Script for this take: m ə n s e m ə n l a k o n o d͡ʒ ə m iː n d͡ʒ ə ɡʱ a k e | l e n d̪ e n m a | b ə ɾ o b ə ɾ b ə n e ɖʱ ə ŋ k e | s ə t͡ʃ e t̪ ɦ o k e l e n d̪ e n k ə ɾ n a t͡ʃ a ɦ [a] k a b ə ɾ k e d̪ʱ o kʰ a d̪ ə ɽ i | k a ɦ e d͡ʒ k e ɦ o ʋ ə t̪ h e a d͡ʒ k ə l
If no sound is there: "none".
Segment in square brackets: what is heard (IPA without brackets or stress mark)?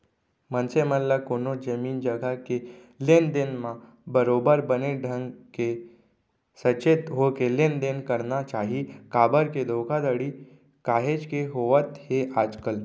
i